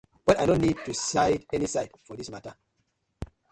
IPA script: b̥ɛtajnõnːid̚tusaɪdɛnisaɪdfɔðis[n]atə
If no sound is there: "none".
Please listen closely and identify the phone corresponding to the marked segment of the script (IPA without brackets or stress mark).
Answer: m